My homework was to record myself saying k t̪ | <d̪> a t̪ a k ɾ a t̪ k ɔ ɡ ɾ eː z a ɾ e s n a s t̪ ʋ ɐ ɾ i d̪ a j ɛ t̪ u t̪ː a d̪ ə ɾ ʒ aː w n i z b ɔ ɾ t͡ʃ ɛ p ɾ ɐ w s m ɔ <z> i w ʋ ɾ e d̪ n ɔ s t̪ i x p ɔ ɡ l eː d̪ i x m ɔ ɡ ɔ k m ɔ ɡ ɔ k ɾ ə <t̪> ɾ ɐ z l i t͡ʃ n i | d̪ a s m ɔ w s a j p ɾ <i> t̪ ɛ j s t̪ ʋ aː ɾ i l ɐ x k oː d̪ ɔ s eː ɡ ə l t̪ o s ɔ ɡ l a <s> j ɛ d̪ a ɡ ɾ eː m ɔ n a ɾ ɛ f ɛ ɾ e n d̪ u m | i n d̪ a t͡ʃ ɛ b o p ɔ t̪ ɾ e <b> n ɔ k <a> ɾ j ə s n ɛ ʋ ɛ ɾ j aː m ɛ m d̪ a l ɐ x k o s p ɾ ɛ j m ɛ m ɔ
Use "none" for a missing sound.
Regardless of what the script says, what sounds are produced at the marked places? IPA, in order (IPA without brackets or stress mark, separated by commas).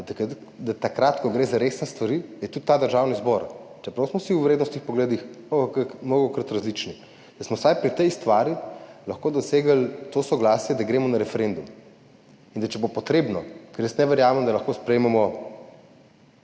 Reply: d̪, s, t̪, i, s, b, ɛ